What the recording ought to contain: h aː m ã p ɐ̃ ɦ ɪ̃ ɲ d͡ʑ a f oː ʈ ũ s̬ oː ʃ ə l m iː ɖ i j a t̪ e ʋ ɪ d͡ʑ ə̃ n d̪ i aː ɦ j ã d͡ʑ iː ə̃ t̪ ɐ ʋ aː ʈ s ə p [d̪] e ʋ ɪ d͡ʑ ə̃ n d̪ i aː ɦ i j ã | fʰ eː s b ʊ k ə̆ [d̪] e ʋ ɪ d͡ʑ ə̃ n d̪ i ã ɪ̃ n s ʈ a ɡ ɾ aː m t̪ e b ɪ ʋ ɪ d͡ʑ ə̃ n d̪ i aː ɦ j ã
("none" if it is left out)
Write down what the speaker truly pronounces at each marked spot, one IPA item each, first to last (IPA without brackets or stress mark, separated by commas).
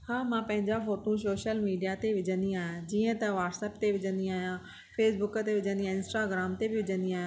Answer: t̪, t̪